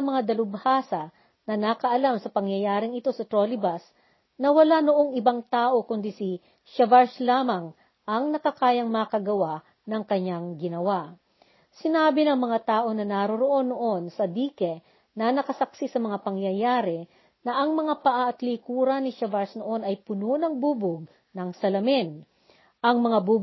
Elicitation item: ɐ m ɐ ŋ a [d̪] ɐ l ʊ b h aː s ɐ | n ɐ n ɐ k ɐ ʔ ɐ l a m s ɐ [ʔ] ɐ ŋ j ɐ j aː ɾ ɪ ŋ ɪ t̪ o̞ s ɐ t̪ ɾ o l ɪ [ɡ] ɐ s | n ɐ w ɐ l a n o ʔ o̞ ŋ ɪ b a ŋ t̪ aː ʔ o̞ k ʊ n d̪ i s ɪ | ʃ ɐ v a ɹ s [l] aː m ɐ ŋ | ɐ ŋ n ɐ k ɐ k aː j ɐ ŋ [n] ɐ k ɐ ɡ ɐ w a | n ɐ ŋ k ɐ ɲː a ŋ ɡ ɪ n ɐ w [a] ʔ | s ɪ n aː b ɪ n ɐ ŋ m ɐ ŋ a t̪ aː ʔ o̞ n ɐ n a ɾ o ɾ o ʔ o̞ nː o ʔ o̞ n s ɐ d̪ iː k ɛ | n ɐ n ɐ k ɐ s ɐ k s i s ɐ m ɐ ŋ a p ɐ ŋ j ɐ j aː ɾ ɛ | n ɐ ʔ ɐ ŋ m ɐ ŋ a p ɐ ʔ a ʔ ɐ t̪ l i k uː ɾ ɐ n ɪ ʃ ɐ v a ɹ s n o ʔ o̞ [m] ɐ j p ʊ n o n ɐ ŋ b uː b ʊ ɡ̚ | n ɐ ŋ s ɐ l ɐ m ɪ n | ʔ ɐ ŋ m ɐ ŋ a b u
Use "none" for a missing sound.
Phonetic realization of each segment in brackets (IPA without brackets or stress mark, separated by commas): d̪, p, b, l, m, a, n